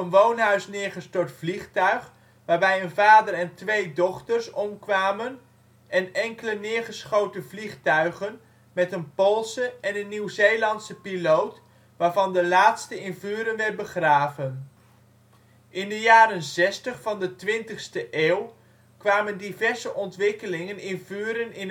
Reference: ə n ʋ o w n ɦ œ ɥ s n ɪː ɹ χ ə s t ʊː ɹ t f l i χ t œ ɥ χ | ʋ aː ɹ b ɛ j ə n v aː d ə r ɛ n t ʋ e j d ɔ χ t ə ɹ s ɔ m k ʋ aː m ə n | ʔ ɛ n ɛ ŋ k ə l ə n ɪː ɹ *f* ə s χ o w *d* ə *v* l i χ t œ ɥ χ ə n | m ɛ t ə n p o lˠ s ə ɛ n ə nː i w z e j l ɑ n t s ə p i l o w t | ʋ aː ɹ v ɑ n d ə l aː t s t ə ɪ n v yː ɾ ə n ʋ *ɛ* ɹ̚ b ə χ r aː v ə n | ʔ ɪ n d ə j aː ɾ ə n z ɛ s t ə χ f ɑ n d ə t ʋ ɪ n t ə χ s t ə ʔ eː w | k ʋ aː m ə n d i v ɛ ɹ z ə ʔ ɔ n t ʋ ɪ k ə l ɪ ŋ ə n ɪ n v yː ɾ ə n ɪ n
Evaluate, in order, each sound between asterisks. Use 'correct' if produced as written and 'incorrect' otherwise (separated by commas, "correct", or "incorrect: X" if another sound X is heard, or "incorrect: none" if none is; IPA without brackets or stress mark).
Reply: incorrect: χ, incorrect: t, correct, correct